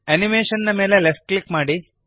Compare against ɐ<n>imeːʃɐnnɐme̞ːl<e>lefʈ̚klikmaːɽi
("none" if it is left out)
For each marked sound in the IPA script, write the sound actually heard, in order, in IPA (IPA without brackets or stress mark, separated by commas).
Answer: n, e